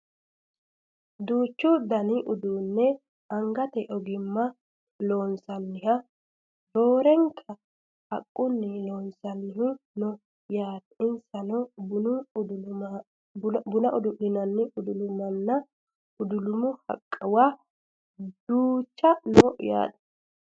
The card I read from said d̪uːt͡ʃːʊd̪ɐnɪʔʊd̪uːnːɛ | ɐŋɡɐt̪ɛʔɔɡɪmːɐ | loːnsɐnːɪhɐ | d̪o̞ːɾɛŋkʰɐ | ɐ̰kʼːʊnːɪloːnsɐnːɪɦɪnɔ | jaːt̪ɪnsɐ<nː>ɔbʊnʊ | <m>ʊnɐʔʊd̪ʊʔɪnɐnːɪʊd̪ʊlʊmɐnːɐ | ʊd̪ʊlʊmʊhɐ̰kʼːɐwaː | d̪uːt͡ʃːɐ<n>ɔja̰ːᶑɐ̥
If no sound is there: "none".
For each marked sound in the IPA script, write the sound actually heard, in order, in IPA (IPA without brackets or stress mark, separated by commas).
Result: n, b, n